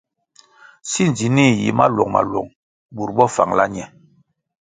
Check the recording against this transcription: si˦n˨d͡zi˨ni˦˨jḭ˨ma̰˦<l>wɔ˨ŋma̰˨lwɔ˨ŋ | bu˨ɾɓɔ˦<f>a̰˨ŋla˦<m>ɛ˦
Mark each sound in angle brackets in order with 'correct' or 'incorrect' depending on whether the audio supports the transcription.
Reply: correct, correct, incorrect: ɲ

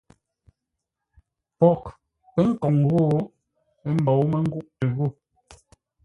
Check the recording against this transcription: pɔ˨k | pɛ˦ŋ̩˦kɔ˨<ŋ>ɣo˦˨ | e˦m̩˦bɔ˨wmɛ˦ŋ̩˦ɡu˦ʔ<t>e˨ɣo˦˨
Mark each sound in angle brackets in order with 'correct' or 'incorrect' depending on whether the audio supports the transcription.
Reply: correct, correct

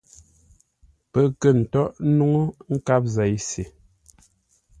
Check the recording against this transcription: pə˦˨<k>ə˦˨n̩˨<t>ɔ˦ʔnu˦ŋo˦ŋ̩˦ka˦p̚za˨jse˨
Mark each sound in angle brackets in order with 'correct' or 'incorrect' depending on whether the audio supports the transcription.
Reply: correct, correct

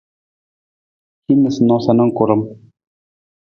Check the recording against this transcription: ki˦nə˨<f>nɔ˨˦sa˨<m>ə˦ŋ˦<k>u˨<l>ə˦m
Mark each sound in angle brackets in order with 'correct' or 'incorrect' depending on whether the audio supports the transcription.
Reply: incorrect: s, incorrect: n, correct, incorrect: ɾ

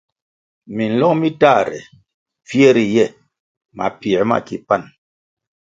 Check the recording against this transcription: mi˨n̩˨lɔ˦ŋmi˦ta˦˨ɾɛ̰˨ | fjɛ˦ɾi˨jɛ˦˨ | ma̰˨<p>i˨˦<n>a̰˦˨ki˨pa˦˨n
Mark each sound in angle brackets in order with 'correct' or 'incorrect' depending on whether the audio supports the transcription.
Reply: correct, incorrect: m

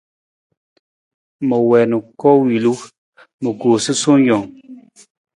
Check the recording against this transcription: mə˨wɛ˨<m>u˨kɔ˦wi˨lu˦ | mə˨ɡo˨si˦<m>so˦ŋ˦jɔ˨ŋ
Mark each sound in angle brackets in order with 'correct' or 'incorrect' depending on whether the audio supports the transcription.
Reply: incorrect: n, incorrect: none

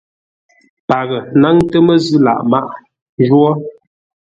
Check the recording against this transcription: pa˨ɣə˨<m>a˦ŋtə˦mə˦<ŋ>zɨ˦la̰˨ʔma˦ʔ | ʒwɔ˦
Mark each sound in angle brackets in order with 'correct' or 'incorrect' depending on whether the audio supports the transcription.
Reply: incorrect: n, incorrect: none

